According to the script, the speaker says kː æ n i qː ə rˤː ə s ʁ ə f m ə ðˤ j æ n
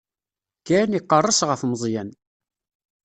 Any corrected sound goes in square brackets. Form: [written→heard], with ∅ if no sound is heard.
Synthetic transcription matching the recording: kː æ n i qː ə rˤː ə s ʁ ə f m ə [ðˤ→zˤ] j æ n